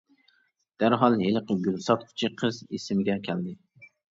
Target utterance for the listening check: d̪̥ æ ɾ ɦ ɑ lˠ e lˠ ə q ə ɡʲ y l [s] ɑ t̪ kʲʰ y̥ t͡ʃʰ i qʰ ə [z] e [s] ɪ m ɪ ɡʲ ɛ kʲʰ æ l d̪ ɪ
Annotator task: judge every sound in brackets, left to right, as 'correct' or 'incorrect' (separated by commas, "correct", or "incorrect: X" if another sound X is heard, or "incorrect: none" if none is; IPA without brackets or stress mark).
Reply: correct, correct, correct